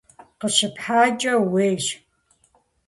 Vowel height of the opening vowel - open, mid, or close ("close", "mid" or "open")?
mid